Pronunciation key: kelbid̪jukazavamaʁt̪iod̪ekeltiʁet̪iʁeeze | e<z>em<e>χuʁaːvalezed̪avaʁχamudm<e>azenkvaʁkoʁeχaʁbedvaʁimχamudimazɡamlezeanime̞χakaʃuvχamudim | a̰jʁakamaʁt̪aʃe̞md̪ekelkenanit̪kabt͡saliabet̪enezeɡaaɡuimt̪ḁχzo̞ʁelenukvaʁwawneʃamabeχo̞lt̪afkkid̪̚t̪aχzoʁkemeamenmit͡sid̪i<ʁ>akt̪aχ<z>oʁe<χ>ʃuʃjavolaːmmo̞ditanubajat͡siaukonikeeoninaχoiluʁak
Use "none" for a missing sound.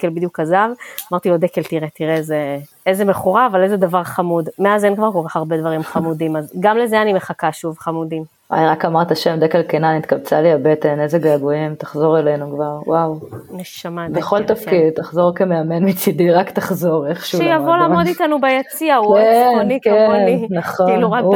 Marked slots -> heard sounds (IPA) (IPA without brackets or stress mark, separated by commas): z, e, e, ʁ, z, χ